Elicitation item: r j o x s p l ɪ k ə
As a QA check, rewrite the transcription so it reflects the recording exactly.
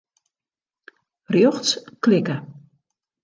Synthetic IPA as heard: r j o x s k l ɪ k ə